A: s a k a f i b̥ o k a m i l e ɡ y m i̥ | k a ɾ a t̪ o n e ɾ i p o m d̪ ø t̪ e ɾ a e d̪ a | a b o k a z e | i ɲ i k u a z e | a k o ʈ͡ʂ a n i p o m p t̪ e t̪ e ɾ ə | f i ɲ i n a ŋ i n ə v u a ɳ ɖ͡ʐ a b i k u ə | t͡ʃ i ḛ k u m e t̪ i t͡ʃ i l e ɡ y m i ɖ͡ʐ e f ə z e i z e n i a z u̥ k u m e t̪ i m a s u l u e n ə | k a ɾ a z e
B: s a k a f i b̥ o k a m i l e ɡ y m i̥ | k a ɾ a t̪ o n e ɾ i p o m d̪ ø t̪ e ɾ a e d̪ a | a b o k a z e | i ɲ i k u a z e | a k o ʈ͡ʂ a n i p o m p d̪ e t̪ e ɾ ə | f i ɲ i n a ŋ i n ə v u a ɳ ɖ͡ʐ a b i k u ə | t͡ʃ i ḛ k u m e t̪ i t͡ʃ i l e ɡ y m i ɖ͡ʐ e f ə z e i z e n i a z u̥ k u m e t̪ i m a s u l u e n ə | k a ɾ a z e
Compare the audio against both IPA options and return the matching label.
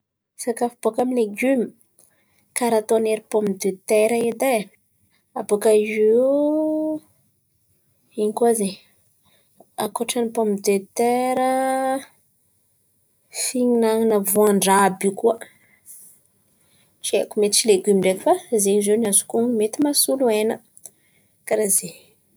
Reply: B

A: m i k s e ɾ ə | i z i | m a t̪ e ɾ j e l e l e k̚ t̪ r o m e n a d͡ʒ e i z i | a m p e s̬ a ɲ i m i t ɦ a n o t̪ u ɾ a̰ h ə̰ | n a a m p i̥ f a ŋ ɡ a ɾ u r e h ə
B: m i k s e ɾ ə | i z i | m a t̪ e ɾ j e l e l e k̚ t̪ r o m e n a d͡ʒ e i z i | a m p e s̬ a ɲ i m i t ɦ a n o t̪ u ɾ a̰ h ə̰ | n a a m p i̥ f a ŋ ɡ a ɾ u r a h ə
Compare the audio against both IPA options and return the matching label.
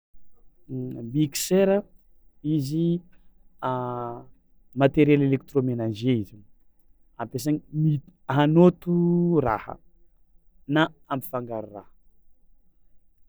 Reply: B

